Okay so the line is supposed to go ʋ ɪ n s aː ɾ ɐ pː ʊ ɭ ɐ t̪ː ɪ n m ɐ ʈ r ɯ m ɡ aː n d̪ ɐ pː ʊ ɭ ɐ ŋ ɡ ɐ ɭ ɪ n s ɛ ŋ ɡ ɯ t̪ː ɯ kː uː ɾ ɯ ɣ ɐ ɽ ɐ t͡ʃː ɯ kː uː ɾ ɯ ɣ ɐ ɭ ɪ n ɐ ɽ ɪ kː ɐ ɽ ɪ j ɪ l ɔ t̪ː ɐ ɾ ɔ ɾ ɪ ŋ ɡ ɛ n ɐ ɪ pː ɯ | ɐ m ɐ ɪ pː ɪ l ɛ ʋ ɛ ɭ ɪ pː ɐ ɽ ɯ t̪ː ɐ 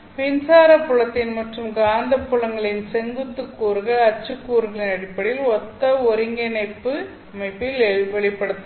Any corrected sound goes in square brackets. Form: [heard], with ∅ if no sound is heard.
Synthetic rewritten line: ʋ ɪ n s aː ɾ ɐ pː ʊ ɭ ɐ t̪ː ɪ n m ɐ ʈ r ɯ m ɡ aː n d̪ ɐ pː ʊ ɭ ɐ ŋ ɡ ɐ ɭ ɪ n s ɛ ŋ ɡ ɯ t̪ː ɯ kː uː ɾ ɯ ɣ ɐ [ɭ] ɐ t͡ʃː ɯ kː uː ɾ ɯ ɣ ɐ ɭ ɪ n ɐ ɽ ɪ [pː] ɐ ɽ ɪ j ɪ l ɔ t̪ː ɐ [∅] ɔ ɾ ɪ ŋ ɡ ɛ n ɐ ɪ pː ɯ | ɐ m ɐ ɪ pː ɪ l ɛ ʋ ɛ ɭ ɪ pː ɐ ɽ ɯ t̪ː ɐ